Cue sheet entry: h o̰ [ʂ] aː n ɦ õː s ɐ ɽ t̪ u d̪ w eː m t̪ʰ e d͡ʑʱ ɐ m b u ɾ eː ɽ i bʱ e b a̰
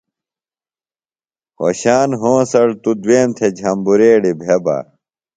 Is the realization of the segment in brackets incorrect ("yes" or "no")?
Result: yes